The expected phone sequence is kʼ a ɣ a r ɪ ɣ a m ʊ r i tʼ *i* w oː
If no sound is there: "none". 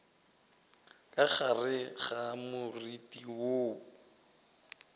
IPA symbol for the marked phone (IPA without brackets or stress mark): i